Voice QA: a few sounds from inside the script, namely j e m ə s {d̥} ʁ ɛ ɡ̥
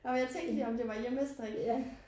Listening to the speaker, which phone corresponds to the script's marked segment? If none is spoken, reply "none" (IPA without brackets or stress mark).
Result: d̥